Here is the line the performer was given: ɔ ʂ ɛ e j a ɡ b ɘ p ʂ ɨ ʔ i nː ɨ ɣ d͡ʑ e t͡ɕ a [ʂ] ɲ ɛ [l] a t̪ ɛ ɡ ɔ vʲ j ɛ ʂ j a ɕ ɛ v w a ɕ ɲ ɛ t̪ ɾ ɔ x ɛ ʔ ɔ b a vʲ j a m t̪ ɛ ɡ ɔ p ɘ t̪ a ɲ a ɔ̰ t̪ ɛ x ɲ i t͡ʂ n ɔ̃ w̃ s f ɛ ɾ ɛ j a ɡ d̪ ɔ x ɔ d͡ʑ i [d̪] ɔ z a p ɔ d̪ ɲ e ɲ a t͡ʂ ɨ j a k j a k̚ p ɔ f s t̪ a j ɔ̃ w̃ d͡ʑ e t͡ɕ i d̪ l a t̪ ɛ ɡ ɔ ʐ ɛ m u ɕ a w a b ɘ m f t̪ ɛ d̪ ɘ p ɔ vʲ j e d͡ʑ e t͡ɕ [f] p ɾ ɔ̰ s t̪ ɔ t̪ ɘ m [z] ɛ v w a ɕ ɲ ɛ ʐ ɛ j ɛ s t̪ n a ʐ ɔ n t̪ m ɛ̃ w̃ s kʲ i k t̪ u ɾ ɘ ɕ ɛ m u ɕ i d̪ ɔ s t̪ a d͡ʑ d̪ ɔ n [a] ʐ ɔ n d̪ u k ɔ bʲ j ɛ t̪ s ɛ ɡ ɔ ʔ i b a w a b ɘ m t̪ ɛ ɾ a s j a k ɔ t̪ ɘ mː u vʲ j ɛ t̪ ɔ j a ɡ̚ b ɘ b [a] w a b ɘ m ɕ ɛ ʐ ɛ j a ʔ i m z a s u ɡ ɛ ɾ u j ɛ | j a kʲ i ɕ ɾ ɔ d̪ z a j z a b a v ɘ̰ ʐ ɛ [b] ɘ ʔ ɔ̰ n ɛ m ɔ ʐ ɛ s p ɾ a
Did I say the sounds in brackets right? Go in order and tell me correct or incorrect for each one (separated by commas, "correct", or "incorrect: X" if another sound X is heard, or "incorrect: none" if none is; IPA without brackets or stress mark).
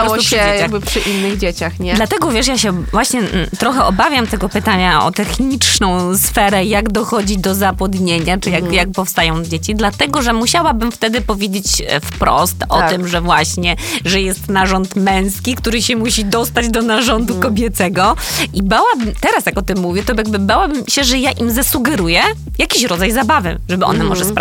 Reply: incorrect: x, correct, correct, correct, incorrect: ʐ, correct, correct, correct